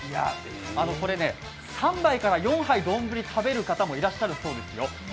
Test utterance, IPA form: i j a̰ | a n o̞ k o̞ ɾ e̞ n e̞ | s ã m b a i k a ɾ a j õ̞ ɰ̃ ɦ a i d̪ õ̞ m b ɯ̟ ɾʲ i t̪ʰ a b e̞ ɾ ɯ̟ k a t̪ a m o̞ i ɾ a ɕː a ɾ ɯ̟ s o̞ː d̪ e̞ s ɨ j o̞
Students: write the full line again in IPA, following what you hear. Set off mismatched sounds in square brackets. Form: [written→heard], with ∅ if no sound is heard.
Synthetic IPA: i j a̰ | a n o̞ k o̞ ɾ e̞ n e̞ | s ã m b a i k a ɾ a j õ̞ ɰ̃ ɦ a i d̪ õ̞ m b ɯ̟ ɾʲ i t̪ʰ a b e̞ ɾ ɯ̟ k a t̪ a m o̞ i ɾ a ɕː a ɾ ɯ̟ s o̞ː d̪ e̞ s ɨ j o̞